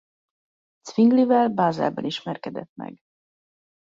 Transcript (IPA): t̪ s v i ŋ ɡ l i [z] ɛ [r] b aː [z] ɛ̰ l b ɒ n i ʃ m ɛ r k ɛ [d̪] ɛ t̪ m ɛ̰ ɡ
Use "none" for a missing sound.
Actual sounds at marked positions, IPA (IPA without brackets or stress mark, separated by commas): v, l, z, d̪